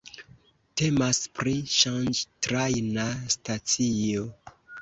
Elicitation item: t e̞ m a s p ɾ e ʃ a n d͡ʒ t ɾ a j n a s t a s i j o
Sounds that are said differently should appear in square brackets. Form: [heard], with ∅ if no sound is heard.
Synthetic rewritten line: t e̞ m a s p ɾ [i] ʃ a n d͡ʒ t ɾ a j n a s t a [t͡s] i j o

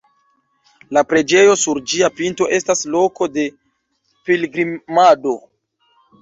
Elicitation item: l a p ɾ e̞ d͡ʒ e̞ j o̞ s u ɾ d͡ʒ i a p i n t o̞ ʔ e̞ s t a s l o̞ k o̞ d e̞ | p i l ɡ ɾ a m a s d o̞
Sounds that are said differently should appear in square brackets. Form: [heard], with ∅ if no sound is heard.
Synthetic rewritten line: l a p ɾ e̞ d͡ʒ e̞ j o̞ s u ɾ d͡ʒ i a p i n t o̞ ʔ e̞ s t a s l o̞ k o̞ d e̞ | p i l ɡ ɾ [i] m a [∅] d o̞

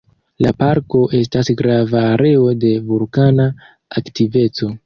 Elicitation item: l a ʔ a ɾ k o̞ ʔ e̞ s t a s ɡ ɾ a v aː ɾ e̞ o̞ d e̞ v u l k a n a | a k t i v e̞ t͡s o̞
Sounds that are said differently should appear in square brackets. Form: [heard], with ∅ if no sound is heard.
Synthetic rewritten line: l a [p] a ɾ k o̞ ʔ e̞ s t a s ɡ ɾ a v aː ɾ e̞ o̞ d e̞ v u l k a n a | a k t i v e̞ t͡s o̞

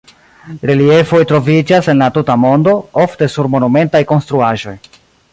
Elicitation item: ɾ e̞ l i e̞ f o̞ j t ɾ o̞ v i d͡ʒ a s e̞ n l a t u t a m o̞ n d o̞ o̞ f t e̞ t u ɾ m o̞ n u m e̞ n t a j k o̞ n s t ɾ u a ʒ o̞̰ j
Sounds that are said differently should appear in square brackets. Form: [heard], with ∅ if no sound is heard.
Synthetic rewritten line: ɾ e̞ l i e̞ f o̞ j t ɾ o̞ v i d͡ʒ a s e̞ n l a t u t a m o̞ n d o̞ o̞ f t e̞ [s] u ɾ m o̞ n u m e̞ n t a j k o̞ n s t ɾ u a ʒ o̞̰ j

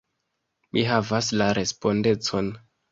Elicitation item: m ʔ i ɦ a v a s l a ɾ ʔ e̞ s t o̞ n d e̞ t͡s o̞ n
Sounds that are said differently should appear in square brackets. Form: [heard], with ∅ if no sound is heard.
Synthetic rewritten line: m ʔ i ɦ a v a s l a ɾ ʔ e̞ s [p] o̞ n d e̞ t͡s o̞ n

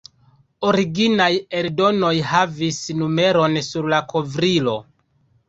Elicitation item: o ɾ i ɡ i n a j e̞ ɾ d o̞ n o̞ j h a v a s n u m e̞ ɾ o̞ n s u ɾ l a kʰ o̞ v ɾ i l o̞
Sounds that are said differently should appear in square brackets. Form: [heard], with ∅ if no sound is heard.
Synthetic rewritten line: o ɾ i ɡ i n a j e̞ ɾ d o̞ n o̞ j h a v [i] s n u m e̞ ɾ o̞ n s u ɾ l a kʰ o̞ v ɾ i l o̞

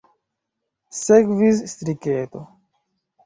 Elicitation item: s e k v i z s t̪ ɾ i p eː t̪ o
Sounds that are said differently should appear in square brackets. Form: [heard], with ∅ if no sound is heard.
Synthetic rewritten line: s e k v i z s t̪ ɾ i [k] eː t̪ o

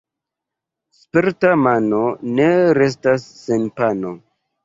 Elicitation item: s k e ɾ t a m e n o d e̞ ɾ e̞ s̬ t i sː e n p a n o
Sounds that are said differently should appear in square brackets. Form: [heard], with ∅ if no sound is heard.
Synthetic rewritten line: s [p] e ɾ t a m [a] n o [n] e̞ ɾ e̞ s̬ t [a] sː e n p a n o

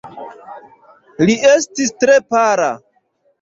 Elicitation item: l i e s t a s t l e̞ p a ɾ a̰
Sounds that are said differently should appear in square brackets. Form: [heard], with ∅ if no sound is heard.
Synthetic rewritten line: l i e s t [i] s t [ɾ] e̞ p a ɾ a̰

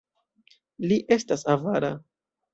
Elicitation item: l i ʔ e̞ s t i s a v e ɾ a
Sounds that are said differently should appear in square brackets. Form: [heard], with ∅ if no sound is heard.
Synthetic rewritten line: l i ʔ e̞ s t [a] s a v [a] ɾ a

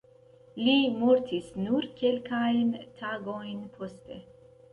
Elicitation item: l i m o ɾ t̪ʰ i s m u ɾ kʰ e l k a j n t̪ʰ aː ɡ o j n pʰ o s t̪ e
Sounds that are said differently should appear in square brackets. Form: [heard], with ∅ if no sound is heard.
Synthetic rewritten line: l i m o ɾ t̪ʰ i s [n] u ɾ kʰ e l k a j n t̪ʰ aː ɡ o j n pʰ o s t̪ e

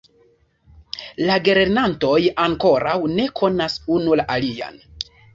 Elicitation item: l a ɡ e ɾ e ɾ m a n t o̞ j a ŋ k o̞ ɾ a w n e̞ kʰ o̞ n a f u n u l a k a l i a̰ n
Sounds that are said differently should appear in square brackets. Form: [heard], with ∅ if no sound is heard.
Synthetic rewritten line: l a ɡ e ɾ e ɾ [n] a n t o̞ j a ŋ k o̞ ɾ a w n e̞ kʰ o̞ n a [s] u n u l a [ʔ] a l i a̰ n

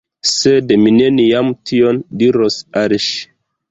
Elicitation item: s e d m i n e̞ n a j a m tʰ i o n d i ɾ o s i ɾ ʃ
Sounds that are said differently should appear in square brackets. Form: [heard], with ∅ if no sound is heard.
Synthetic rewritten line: s e d m i n e̞ n [i] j a m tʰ i o n d i ɾ o s [a] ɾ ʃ

